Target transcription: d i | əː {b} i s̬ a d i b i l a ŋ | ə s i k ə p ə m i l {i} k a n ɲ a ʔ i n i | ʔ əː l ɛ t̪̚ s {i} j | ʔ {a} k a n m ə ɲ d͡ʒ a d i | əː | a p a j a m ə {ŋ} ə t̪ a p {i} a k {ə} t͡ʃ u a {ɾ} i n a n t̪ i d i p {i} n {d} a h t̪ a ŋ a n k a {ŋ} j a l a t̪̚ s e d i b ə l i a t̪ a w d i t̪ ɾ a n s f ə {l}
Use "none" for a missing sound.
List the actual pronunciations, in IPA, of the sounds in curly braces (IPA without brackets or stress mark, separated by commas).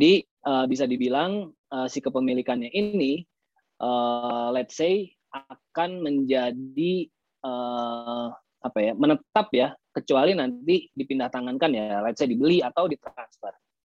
b, i, e, a, n, j, ə, l, i, d, n, r